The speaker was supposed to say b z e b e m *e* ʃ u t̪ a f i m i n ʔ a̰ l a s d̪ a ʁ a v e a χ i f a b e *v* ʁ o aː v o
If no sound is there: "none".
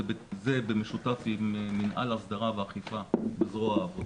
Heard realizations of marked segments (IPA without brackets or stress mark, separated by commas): e, z